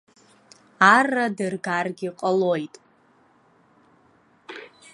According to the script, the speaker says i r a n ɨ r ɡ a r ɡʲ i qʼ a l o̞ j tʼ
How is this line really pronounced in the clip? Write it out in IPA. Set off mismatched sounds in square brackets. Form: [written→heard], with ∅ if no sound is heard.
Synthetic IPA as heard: [i→a] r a [n→d] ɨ r ɡ a r ɡʲ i qʼ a l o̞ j tʼ